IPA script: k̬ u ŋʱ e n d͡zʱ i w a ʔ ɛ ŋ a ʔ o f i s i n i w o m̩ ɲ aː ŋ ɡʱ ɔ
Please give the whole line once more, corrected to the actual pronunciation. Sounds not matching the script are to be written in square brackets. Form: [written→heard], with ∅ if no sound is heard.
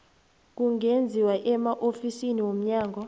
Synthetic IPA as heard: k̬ u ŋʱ e n d͡zʱ i w a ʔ ɛ [ŋ→m] a ʔ o f i s i n i w o m̩ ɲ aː ŋ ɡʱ ɔ